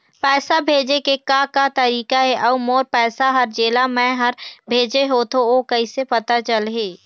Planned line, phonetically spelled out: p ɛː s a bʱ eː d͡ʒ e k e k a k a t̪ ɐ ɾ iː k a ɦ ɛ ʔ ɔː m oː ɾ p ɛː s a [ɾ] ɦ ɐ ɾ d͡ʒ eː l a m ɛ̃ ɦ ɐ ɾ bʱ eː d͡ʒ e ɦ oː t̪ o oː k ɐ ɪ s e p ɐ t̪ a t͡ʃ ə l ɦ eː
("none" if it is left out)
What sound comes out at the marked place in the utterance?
none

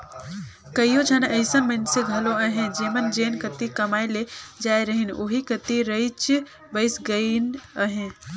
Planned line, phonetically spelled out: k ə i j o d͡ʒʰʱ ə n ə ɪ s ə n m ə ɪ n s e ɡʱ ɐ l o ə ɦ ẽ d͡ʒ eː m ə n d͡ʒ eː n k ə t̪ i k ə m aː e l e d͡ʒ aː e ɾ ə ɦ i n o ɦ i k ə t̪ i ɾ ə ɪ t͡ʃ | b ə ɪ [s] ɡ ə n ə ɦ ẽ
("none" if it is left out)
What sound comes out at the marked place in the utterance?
s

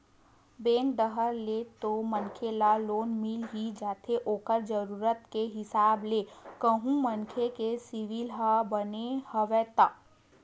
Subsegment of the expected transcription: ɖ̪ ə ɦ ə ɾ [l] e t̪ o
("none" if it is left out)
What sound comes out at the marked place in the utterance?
l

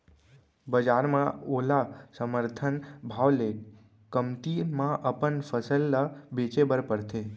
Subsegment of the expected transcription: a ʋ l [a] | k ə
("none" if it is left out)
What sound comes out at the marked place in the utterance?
e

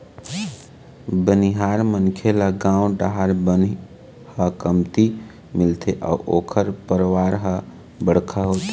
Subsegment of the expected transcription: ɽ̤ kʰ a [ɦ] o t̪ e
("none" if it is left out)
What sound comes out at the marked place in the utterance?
ɦ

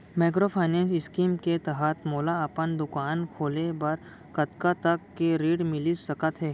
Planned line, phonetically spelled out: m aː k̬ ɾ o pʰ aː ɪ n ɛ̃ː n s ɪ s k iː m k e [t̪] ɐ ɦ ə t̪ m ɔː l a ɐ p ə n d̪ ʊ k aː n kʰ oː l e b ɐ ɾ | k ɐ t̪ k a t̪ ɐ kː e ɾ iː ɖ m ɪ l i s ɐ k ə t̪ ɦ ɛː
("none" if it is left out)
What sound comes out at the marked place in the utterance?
t̪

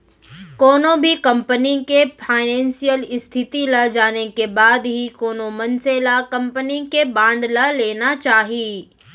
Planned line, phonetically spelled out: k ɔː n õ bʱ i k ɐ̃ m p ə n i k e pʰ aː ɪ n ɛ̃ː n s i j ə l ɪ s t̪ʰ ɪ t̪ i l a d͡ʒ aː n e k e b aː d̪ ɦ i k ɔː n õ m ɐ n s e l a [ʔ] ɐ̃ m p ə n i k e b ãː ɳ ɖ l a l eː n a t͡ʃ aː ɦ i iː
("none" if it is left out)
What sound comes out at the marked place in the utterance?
k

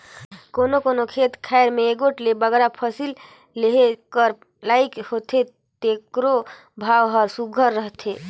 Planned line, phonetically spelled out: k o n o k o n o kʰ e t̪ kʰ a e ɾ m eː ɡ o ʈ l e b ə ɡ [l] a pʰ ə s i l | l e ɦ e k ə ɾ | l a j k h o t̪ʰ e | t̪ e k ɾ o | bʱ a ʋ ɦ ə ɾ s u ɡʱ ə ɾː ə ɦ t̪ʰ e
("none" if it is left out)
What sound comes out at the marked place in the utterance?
ɾ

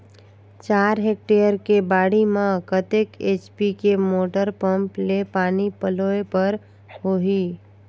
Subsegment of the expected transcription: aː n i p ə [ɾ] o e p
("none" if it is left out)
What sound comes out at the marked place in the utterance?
l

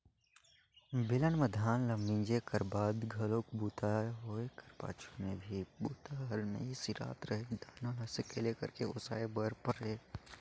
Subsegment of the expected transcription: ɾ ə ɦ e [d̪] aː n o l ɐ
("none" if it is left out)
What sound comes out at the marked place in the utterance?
d̪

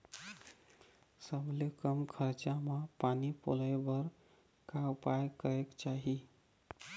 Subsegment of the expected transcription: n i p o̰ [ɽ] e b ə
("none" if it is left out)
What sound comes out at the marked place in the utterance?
l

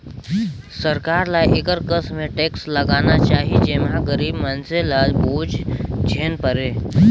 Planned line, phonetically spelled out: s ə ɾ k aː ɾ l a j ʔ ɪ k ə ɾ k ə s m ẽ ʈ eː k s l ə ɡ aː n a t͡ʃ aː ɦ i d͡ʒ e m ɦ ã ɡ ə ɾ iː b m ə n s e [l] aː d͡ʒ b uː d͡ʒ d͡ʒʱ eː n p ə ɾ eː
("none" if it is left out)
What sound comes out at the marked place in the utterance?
l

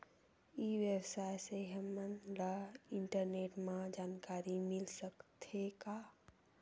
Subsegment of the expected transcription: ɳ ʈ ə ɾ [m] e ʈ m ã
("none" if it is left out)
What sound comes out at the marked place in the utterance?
n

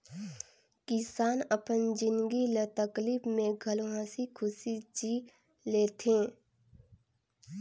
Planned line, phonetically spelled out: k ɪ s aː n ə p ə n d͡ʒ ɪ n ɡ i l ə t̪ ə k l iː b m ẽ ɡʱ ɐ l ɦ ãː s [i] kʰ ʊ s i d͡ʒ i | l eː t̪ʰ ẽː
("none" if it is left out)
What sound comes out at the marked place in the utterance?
i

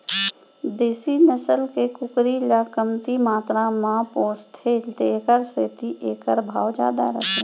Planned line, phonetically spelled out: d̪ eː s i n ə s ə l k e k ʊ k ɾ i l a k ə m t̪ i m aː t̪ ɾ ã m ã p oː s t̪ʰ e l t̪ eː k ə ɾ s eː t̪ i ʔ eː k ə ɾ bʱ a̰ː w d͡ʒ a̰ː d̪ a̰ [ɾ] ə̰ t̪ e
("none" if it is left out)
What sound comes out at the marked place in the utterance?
ɾ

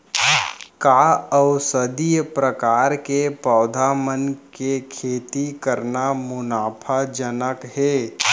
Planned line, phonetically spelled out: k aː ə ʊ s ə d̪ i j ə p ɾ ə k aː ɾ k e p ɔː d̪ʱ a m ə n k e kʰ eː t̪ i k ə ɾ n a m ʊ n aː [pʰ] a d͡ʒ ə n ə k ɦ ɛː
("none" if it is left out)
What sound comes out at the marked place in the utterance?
pʰ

